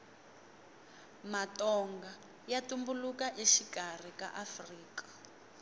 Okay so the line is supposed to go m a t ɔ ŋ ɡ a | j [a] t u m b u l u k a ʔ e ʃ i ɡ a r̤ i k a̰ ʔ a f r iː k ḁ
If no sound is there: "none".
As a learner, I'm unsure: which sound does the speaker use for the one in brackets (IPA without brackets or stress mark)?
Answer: a